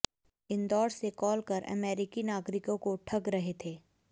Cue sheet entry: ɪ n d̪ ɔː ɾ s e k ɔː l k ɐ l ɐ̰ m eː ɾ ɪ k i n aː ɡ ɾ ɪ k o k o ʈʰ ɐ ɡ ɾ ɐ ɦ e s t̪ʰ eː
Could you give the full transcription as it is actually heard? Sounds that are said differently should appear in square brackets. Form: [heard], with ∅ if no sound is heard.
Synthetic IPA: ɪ n d̪ ɔː ɾ s e k ɔː l k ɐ [ɾ] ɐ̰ m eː ɾ ɪ k i n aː ɡ ɾ ɪ k [õ] k o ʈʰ ɐ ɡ ɾ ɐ ɦ e [∅] t̪ʰ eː

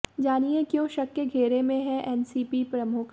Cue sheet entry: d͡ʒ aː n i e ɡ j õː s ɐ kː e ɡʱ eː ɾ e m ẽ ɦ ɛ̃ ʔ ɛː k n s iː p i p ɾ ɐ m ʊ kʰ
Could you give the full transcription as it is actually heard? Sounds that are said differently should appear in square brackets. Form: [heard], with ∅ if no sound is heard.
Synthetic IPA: d͡ʒ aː n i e [k] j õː [ʃ] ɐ kː e ɡʱ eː ɾ e m ẽ ɦ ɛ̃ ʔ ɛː [∅] n s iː p i p ɾ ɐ m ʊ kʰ

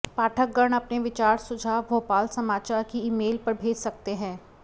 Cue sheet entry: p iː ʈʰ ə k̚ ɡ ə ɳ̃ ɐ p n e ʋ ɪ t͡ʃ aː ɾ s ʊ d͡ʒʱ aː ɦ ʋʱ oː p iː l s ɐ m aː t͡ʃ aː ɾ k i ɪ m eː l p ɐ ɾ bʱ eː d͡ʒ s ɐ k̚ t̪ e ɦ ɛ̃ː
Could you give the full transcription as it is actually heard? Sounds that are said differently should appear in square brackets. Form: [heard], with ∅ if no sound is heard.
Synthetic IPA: p [aː] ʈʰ ə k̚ ɡ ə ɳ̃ ɐ p n e ʋ ɪ t͡ʃ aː ɾ s ʊ d͡ʒʱ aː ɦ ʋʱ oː p [aː] l s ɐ m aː t͡ʃ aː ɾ k i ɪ m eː l p ɐ ɾ bʱ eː d͡ʒ s ɐ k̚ t̪ e ɦ ɛ̃ː

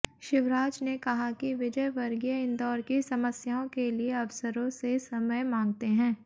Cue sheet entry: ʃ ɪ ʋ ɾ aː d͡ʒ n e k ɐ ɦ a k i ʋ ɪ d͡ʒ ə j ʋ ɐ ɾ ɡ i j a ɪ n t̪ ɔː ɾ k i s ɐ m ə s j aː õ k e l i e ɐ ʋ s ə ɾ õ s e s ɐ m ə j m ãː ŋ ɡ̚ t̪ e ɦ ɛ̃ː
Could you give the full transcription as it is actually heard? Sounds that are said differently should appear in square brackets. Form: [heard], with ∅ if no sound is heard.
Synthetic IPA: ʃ ɪ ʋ ɾ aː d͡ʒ n e k ɐ ɦ a k i ʋ ɪ d͡ʒ ə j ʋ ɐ ɾ ɡ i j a ɪ n [d̪] ɔː ɾ k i s ɐ m ə s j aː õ k e l i e ɐ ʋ s ə ɾ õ s e s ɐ m ə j m ãː ŋ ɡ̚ t̪ e ɦ ɛ̃ː

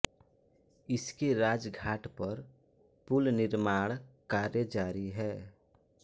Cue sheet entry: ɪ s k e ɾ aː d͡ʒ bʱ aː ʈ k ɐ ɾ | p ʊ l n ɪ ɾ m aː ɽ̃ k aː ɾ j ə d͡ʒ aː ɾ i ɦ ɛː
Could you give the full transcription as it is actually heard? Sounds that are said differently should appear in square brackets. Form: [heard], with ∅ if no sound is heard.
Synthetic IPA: ɪ s k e ɾ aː d͡ʒ [ɡʱ] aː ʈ [p] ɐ ɾ | p ʊ l n ɪ ɾ m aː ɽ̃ k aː ɾ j ə d͡ʒ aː ɾ i ɦ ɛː

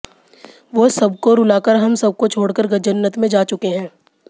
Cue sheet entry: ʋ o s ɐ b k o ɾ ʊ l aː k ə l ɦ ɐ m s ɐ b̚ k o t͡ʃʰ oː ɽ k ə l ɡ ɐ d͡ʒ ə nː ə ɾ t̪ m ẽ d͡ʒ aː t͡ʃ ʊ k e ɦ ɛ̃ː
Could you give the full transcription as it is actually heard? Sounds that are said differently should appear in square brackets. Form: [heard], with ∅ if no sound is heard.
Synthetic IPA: ʋ o s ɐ b k o ɾ ʊ l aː k ə [ɾ] ɦ ɐ m s ɐ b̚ k o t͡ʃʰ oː ɽ k ə [ɾ] ɡ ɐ d͡ʒ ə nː ə [∅] t̪ m ẽ d͡ʒ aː t͡ʃ ʊ k e ɦ ɛ̃ː

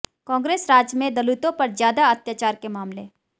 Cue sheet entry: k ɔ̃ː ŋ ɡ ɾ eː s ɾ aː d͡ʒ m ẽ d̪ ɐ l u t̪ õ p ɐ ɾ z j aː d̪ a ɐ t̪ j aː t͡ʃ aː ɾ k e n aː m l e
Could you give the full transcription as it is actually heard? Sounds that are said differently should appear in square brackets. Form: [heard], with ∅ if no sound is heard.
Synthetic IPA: k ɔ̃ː ŋ ɡ ɾ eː s ɾ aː d͡ʒ m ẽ d̪ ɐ l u t̪ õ p ɐ ɾ z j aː d̪ a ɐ t̪ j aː t͡ʃ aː ɾ k e [m] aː m l e

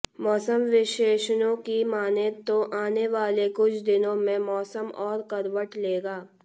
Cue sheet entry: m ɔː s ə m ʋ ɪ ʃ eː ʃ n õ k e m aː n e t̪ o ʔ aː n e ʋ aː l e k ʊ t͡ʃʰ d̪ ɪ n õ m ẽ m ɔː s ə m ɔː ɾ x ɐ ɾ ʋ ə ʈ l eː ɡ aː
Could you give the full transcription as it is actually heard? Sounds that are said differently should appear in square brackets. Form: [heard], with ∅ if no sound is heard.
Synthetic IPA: m ɔː s ə m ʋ ɪ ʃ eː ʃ n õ k [i] m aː n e t̪ o ʔ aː n e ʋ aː l e k ʊ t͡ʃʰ d̪ ɪ n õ m ẽ m ɔː s ə m ɔː ɾ [k] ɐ ɾ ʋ ə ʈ l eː ɡ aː

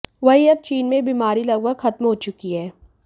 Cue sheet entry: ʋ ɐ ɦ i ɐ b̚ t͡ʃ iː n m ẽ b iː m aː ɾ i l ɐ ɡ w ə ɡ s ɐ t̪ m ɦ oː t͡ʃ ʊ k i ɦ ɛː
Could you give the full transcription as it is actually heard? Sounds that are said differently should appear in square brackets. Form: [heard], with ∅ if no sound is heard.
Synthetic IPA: ʋ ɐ ɦ i ɐ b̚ t͡ʃ iː n m ẽ b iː m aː ɾ i l ɐ ɡ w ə ɡ [x] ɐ t̪ m ɦ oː t͡ʃ ʊ k i ɦ ɛː

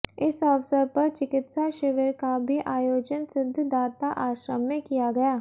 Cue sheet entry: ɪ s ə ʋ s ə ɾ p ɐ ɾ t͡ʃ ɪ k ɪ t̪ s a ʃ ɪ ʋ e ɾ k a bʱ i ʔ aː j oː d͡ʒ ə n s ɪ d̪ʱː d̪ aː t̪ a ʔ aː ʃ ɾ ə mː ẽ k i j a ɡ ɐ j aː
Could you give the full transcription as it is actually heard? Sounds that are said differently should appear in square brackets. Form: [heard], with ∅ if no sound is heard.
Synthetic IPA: ɪ s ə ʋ s ə ɾ p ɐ ɾ t͡ʃ ɪ k ɪ t̪ s a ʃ ɪ ʋ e ɾ k a bʱ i ʔ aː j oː d͡ʒ ə n s ɪ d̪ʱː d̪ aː t̪ a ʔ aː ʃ ɾ ə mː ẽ k i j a ɡ ɐ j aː

